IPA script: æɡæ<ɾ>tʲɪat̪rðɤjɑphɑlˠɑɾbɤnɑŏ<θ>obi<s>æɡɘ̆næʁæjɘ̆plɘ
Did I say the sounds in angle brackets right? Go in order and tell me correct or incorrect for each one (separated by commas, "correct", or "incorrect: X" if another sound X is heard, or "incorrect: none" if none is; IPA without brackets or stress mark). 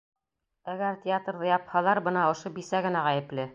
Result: correct, incorrect: ʃ, correct